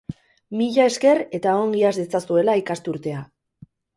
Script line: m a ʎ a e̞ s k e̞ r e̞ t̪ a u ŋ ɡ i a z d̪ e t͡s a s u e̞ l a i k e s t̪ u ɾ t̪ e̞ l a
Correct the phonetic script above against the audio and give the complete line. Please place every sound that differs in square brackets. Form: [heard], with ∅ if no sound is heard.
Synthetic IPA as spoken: m [i] ʎ a e̞ s k e̞ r e̞ t̪ a [o] ŋ ɡ i a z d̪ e t͡s a s u e̞ l a i k [a] s t̪ u ɾ t̪ e̞ [∅] a

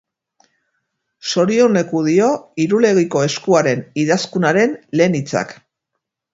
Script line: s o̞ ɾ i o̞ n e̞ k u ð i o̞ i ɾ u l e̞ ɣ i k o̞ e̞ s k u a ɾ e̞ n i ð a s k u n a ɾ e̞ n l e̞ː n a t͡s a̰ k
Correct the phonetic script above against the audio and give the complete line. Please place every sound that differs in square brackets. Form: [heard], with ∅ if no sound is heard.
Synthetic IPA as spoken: s o̞ ɾ i o̞ n e̞ k u ð i o̞ i ɾ u l e̞ ɣ i k o̞ e̞ s k u a ɾ e̞ n i ð a s k u n a ɾ e̞ n l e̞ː n [i] t͡s a̰ k

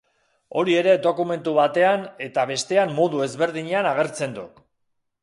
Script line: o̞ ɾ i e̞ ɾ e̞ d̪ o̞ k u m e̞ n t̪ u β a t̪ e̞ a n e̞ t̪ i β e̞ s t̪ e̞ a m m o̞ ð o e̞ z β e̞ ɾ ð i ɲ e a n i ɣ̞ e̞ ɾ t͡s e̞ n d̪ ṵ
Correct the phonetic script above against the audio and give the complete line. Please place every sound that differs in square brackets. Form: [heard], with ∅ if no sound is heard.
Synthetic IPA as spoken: o̞ ɾ i e̞ ɾ e̞ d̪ o̞ k u m e̞ n t̪ u β a t̪ e̞ a n e̞ t̪ [a] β e̞ s t̪ e̞ a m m o̞ ð [u] e̞ z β e̞ ɾ ð i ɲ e a n [a] ɣ̞ e̞ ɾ t͡s e̞ n d̪ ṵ

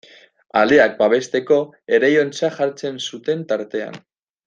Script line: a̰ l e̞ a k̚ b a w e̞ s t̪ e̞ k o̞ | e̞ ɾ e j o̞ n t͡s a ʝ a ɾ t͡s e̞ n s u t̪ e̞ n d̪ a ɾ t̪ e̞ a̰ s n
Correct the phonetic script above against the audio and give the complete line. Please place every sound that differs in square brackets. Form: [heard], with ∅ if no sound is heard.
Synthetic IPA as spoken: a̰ l e̞ a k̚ b a [β] e̞ s t̪ e̞ k o̞ | e̞ ɾ e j o̞ n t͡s a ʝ a ɾ t͡s e̞ n s u t̪ e̞ n [t̪] a ɾ t̪ e̞ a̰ [∅] n

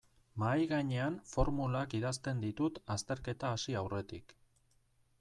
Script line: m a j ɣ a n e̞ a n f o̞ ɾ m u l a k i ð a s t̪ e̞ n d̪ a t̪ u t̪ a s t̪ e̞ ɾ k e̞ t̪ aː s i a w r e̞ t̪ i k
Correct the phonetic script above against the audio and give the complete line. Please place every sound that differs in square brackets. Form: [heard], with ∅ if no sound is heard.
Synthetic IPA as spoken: m a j ɣ a [ɲ] e̞ a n f o̞ ɾ m u l a k i ð a s t̪ e̞ n d̪ [i] t̪ u t̪ a s t̪ e̞ ɾ k e̞ t̪ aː s i a w r e̞ t̪ i k

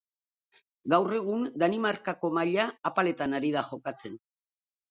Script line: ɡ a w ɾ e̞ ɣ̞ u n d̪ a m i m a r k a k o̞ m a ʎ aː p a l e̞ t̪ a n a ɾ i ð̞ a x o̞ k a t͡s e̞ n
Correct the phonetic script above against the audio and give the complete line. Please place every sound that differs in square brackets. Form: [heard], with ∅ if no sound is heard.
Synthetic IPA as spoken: ɡ a w [r] e̞ ɣ̞ u n d̪ a [n] i m a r k a k o̞ m a ʎ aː p a l e̞ t̪ a n a ɾ i ð̞ a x o̞ k a t͡s e̞ n

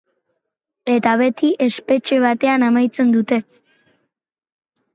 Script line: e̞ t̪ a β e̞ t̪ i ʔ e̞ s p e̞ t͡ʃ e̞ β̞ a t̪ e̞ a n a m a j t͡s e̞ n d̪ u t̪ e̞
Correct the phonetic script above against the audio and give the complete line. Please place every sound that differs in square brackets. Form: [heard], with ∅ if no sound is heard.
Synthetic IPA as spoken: e̞ t̪ a β e̞ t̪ i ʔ e̞ s p e̞ t͡ʃ e̞ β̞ a t̪ e̞ a n a m a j t͡s e̞ n d̪ u t̪ e̞

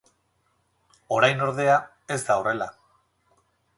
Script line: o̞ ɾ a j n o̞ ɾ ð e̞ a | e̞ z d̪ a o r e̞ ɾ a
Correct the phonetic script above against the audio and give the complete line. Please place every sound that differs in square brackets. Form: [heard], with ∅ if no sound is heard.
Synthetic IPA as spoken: o̞ ɾ a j n o̞ ɾ ð e̞ a | e̞ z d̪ a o r e̞ [l] a

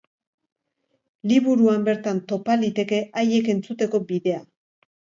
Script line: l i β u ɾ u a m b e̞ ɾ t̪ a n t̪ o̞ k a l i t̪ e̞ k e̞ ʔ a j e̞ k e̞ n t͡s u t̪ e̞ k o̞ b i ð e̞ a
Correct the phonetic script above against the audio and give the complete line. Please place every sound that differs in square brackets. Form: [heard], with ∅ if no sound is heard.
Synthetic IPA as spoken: l i β u ɾ u a m b e̞ ɾ t̪ a n t̪ o̞ [p] a l i t̪ e̞ k e̞ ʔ a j e̞ k e̞ n t͡s u t̪ e̞ k o̞ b i ð e̞ a

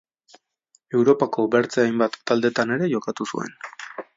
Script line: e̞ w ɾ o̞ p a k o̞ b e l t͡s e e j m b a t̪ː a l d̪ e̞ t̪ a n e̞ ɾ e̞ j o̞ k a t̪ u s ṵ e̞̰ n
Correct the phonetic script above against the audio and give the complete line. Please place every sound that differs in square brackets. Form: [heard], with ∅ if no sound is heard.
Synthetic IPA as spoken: e̞ w ɾ o̞ p a k o̞ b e [ɾ] t͡s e [a] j m b a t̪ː a l d̪ e̞ t̪ a n e̞ ɾ e̞ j o̞ k a t̪ u s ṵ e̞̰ n

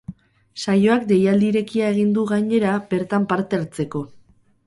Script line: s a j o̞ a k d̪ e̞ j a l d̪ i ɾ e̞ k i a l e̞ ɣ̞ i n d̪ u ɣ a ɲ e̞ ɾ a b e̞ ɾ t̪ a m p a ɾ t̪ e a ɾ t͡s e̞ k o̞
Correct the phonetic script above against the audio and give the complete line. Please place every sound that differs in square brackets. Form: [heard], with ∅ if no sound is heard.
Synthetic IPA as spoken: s a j o̞ a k d̪ e̞ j a l d̪ i ɾ e̞ k i a [∅] e̞ ɣ̞ i n d̪ u ɣ a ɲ e̞ ɾ a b e̞ ɾ t̪ a m p a ɾ t̪ e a ɾ t͡s e̞ k o̞

